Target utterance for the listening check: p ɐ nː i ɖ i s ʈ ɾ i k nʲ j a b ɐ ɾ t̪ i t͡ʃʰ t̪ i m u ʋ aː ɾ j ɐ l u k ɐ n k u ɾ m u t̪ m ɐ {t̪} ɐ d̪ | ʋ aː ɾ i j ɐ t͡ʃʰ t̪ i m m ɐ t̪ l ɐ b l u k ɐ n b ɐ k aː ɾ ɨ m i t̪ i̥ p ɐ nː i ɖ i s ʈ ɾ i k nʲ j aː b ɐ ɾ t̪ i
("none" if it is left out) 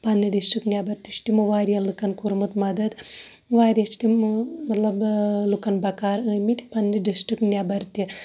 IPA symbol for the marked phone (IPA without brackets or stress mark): d̪